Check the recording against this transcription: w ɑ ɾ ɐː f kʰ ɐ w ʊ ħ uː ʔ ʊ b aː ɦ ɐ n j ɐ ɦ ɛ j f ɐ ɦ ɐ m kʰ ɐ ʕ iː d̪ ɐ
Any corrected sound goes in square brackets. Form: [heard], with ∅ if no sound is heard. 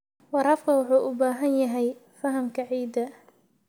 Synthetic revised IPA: w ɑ ɾ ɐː f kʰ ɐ w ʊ ħ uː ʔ ʊ b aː ɦ ɐ n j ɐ ɦ ɛ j f ɐ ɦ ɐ m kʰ ɐ ʕ iː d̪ ɐ